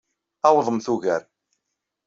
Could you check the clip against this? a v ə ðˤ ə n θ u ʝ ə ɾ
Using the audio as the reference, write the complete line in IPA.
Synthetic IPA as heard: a w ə ðˤ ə m θ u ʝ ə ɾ